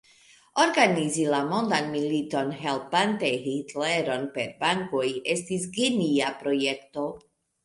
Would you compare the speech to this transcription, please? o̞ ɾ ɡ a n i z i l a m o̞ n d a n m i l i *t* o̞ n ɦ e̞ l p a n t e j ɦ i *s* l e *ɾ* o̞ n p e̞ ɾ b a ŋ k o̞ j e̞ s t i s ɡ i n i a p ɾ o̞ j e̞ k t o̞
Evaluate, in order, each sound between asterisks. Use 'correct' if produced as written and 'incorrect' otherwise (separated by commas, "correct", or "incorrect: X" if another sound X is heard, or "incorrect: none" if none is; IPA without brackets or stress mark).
correct, incorrect: t, correct